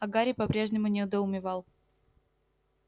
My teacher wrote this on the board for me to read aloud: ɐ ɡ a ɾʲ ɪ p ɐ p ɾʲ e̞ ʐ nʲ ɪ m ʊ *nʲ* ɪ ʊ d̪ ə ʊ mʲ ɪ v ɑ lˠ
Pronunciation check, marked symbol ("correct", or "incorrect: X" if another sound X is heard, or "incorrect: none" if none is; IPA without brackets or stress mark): correct